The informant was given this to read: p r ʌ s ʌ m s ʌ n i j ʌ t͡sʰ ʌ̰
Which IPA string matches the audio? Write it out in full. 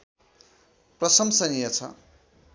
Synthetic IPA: p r ʌ s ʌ m s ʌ n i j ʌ t͡sʰ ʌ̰